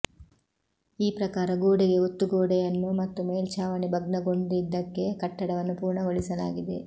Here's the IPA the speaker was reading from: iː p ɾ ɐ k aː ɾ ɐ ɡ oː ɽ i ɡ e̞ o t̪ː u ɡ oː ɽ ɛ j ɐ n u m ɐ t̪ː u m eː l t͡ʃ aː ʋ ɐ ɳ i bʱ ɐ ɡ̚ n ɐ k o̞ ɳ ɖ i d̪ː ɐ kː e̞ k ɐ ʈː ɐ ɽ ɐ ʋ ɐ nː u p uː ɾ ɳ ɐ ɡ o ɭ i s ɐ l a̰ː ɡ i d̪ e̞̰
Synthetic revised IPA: iː p ɾ ɐ k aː ɾ ɐ ɡ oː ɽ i ɡ e̞ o t̪ː u ɡ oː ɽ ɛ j ɐ nː u m ɐ t̪ː u m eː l t͡ʃ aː ʋ ɐ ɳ i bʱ ɐ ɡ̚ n ɐ ɡ o̞ ɳ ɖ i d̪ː ɐ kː e̞ k ɐ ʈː ɐ ɽ ɐ ʋ ɐ nː u p uː ɾ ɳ ɐ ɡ o ɭ i s ɐ l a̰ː ɡ i d̪ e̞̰